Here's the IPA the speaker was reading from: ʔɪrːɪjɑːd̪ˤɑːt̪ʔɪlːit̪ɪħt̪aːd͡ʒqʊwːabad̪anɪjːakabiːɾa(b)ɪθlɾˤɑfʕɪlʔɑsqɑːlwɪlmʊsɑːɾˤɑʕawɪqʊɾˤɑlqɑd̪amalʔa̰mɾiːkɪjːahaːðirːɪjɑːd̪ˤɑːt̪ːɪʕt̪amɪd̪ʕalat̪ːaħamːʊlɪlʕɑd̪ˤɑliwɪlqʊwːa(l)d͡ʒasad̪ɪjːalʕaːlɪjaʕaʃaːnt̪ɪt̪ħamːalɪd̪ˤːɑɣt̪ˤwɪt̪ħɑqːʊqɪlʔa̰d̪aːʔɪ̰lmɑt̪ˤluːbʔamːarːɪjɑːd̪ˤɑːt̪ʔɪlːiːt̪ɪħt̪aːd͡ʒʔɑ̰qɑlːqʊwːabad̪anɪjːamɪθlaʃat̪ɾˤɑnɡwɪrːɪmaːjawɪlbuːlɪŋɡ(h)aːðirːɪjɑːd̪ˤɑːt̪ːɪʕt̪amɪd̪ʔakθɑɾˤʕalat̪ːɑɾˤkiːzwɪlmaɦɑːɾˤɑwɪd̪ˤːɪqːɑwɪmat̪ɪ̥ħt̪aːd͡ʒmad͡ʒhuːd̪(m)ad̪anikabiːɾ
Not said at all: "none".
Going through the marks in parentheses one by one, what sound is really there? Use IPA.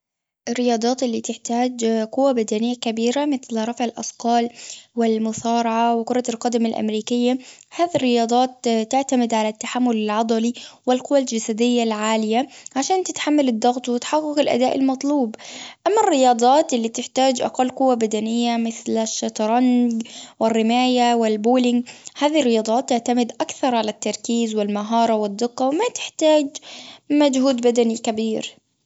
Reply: m, l, h, b

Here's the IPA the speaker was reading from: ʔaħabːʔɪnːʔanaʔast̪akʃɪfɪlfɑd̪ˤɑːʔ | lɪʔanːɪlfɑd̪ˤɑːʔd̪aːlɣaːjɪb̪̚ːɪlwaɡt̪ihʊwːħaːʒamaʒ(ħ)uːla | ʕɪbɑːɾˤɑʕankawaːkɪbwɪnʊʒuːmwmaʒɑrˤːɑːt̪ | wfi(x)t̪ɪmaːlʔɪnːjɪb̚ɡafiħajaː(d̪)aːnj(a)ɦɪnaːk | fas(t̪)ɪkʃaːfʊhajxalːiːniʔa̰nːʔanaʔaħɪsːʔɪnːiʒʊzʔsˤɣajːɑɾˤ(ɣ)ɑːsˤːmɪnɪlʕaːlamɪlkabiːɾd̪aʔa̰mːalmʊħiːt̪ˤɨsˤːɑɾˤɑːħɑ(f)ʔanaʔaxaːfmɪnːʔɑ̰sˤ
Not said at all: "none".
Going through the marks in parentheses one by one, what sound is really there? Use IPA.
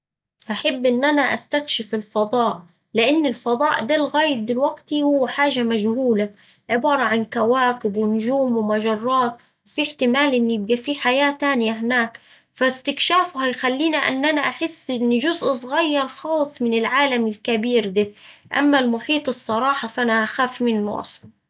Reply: h, ħ, t̪, a, t̪, x, f

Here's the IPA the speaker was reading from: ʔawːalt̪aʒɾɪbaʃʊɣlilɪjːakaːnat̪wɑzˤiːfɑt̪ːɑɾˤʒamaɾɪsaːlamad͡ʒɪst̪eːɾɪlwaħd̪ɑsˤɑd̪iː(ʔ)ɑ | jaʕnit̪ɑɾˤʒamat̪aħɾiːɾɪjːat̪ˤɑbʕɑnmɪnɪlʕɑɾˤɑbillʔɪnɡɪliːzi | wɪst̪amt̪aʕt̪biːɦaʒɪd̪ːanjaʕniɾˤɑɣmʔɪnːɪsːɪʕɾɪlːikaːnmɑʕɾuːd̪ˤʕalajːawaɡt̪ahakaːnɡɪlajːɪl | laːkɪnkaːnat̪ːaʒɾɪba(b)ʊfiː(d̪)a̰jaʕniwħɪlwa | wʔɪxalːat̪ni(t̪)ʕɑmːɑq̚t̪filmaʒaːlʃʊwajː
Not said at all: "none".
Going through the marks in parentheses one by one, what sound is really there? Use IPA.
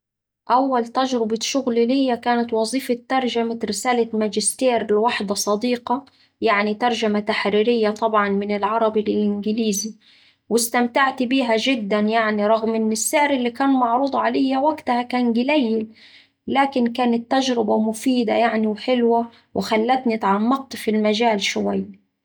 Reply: q, m, d̪, t̪

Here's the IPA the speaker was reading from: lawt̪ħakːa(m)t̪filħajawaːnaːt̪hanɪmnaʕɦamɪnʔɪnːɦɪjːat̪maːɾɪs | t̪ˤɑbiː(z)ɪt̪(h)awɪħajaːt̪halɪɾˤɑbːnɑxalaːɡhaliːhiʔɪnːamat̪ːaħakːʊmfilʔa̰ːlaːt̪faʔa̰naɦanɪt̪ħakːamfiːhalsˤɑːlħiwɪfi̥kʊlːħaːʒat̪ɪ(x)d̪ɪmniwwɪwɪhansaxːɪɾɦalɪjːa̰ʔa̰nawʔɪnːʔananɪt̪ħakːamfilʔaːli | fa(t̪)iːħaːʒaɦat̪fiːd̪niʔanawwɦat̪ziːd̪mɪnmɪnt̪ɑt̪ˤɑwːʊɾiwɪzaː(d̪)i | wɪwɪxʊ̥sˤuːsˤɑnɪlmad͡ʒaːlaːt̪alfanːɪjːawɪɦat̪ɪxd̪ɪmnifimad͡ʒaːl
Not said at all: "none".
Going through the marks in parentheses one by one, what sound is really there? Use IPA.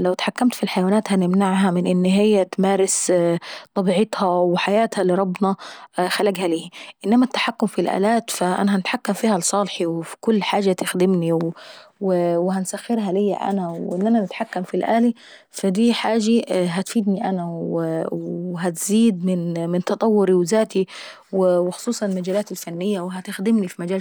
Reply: m, ʕ, h, x, d̪, t̪

